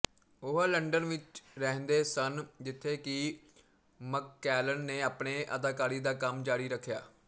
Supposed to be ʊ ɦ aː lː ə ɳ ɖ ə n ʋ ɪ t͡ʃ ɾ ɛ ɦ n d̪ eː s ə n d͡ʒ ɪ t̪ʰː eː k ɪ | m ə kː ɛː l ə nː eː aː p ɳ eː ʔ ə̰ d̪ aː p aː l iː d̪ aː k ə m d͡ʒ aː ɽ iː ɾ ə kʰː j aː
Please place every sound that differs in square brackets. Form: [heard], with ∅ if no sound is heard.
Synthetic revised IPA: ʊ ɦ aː [l] ə ɳ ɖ ə n ʋ ɪ t͡ʃ ɾ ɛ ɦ n d̪ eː s ə n d͡ʒ ɪ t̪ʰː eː k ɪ | m ə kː ɛː l ə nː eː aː p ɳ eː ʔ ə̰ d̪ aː [k] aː [ɾ] iː d̪ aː k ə m d͡ʒ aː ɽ iː ɾ ə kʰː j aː